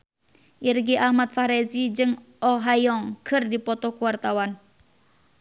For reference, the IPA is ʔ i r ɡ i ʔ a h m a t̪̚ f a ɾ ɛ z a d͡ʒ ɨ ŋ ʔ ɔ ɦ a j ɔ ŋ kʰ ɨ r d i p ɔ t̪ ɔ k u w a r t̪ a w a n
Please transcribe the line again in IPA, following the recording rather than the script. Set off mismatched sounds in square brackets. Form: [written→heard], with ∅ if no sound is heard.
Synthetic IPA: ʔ i r ɡ i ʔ a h m a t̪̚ f a ɾ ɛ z [a→i] d͡ʒ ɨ ŋ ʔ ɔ ɦ a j ɔ ŋ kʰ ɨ r d i p ɔ t̪ ɔ k u w a r t̪ a w a n